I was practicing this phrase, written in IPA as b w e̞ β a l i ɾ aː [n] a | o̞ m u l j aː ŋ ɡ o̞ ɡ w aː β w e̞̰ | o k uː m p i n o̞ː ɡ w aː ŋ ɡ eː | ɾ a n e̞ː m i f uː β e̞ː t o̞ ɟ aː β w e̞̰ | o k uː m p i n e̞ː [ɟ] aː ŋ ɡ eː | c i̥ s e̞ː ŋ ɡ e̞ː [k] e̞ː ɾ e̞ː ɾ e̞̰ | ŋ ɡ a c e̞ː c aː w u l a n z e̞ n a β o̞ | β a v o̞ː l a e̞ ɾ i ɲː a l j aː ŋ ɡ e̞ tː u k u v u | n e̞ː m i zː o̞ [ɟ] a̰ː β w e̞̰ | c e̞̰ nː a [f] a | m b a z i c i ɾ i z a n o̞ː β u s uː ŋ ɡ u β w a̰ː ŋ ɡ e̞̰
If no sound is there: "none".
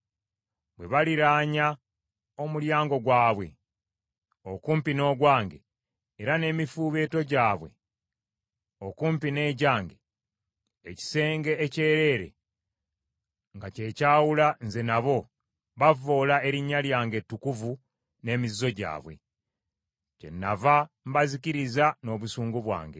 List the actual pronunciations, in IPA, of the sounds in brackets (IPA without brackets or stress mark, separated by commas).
ɲ, ɟ, c, ɟ, v